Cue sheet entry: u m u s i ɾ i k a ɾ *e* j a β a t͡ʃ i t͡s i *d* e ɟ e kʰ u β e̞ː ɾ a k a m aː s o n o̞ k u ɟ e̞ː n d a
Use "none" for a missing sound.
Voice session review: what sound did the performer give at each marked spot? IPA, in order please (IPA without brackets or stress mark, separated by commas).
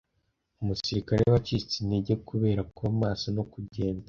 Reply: e, n